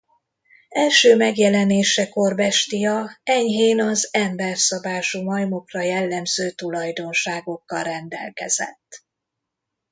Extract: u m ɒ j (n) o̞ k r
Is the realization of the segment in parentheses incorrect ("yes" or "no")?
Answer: yes